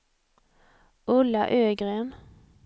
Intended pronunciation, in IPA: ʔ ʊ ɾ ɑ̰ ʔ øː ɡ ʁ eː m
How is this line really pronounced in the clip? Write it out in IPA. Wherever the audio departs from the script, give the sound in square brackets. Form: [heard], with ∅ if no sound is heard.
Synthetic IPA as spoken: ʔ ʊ [l] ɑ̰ ʔ øː ɡ ʁ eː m